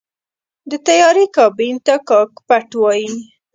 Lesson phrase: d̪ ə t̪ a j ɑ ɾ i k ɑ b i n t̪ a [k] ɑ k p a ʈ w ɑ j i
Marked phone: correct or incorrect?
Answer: correct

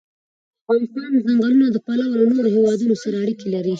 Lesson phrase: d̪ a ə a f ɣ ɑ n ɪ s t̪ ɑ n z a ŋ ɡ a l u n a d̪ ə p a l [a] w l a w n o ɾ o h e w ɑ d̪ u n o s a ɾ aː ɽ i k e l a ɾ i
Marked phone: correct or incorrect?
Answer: correct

